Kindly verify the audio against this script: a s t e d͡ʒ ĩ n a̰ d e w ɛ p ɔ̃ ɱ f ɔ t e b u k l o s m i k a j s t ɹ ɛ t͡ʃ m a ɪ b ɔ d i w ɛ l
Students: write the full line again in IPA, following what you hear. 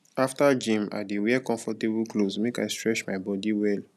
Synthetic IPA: a f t a d͡ʒ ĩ m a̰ d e w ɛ k ɔ̃ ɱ f ɔ t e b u k l o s m e k a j s t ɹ ɛ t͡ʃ m a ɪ b ɔ d i w ɛ l